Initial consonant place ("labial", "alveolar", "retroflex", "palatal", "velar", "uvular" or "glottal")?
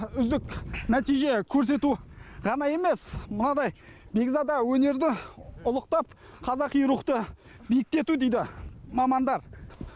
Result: alveolar